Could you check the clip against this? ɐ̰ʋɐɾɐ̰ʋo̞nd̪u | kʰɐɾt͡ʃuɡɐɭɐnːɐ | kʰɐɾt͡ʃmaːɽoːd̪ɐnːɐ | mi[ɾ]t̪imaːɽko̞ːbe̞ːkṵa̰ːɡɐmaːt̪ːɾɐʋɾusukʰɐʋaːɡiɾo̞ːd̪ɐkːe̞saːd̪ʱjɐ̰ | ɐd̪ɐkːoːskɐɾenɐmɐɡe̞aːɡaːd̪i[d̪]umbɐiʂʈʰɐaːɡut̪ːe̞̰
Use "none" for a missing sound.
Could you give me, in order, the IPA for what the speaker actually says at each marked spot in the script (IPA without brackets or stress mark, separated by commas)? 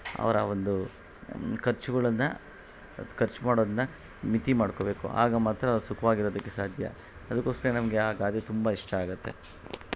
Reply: none, t̪